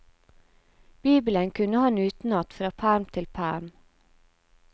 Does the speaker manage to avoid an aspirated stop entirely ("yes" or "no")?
no